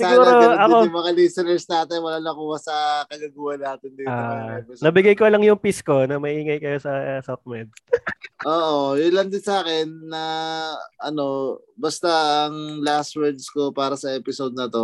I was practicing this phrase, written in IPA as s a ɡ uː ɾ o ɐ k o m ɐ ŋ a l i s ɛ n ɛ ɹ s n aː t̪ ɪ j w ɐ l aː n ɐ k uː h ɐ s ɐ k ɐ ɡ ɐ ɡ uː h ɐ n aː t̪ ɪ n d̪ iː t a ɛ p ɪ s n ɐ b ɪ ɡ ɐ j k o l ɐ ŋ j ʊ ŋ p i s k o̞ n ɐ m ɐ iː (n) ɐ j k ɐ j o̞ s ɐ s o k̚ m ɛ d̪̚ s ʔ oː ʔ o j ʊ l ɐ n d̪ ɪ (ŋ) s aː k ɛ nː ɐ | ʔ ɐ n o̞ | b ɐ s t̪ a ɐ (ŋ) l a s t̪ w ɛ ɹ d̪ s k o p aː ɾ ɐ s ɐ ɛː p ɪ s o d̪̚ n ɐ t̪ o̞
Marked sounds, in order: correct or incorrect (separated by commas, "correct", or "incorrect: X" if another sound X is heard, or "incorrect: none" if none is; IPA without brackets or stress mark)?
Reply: incorrect: ŋ, incorrect: n, correct